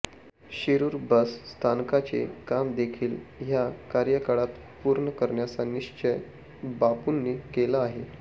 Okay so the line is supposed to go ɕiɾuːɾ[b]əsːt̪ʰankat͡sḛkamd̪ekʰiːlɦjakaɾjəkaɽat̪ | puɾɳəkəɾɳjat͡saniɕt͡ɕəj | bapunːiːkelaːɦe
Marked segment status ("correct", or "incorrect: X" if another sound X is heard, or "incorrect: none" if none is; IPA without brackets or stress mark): correct